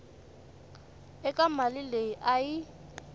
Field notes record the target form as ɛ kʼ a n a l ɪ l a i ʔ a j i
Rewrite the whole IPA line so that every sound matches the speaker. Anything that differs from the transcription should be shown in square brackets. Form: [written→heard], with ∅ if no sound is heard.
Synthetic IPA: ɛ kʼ a [n→m] a l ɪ l [a→e] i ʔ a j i